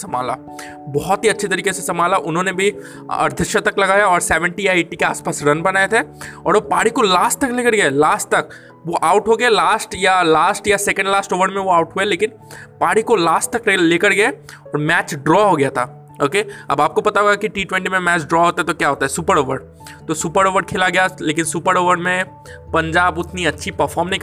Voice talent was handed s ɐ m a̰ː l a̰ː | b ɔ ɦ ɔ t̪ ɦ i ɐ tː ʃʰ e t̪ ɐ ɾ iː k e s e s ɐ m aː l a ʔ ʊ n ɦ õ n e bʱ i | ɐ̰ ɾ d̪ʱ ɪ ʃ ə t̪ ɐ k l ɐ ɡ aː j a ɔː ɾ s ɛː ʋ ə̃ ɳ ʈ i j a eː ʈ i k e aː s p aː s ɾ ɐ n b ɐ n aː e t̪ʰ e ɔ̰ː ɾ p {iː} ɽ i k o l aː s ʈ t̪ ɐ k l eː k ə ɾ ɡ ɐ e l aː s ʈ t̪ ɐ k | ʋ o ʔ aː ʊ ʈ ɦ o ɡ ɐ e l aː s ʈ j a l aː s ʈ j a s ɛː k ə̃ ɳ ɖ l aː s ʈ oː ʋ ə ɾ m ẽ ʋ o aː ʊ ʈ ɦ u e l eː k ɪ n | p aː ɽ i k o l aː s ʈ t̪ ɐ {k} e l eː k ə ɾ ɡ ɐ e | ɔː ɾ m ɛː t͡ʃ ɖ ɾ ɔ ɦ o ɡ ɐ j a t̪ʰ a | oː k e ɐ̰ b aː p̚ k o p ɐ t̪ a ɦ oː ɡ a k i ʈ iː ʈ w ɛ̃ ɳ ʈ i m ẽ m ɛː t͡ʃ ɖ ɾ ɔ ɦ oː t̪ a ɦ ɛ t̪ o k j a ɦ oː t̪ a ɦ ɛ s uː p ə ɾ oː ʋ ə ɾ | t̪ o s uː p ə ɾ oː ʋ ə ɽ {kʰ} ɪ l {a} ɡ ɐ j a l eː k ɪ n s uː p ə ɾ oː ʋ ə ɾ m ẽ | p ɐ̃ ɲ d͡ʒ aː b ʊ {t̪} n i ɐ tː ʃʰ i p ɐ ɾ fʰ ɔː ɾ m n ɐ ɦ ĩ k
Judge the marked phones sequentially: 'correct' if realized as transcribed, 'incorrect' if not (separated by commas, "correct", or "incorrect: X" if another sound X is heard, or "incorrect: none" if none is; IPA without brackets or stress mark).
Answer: incorrect: aː, correct, correct, correct, correct